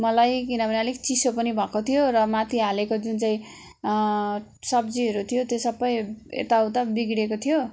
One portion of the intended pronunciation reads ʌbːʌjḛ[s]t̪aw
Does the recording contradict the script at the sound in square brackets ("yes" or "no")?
yes